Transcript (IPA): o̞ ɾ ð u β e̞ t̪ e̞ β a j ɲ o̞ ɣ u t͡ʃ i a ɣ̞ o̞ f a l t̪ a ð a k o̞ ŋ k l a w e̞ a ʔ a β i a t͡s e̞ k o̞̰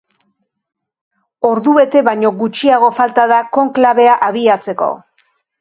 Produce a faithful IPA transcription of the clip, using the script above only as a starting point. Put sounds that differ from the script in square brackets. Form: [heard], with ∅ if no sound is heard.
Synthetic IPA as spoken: o̞ ɾ ð u β e̞ t̪ e̞ β a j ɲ o̞ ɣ u t͡ʃ i a ɣ̞ o̞ f a l t̪ a ð a k o̞ ŋ k l a [β] e̞ a ʔ a β i a t͡s e̞ k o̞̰